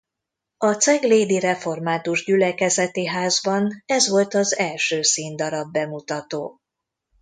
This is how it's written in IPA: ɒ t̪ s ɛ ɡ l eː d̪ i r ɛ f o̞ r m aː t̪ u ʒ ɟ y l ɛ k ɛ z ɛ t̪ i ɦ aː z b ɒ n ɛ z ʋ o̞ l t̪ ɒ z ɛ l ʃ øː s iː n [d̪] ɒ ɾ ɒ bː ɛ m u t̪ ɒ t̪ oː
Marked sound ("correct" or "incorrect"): correct